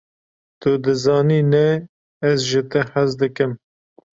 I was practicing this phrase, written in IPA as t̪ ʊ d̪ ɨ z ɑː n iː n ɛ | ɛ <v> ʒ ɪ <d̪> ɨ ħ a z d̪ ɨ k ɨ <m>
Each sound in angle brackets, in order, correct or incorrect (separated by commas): incorrect, incorrect, correct